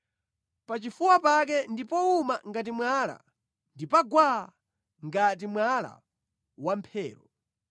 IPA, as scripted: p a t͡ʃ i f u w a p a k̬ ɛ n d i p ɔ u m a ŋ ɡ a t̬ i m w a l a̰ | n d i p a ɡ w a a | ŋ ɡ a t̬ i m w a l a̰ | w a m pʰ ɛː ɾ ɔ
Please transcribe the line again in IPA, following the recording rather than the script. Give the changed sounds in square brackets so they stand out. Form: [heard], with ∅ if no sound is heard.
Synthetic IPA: p a t͡ʃ i f u w a p a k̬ ɛ n d i p ɔ u m a ŋ ɡ a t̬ i m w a l a̰ | n d i p a ɡ w a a | ŋ ɡ a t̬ i m w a l a̰ | w a m pʰ ɛː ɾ ɔ